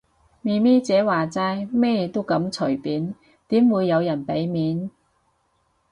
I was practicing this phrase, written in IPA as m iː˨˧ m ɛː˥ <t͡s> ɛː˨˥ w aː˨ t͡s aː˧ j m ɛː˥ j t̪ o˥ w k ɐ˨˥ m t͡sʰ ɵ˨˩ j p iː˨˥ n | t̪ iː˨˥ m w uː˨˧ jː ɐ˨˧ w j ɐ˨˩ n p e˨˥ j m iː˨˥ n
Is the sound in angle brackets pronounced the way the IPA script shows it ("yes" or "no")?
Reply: yes